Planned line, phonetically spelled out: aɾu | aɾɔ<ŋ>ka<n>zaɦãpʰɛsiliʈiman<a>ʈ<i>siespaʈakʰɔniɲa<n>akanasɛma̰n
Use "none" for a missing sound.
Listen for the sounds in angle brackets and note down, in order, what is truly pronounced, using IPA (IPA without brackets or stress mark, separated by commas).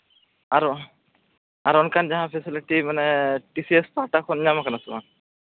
n, n, ɛ, i, m